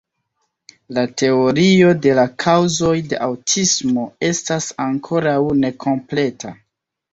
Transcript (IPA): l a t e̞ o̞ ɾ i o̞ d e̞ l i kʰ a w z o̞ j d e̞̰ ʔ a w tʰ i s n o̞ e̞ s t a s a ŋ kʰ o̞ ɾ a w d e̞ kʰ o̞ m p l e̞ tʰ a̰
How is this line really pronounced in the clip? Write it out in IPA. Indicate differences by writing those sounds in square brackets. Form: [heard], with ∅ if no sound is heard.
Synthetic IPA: l a t e̞ o̞ ɾ i o̞ d e̞ l [a] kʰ a w z o̞ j d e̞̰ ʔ a w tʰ i s [m] o̞ e̞ s t a s a ŋ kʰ o̞ ɾ a w [n] e̞ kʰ o̞ m p l e̞ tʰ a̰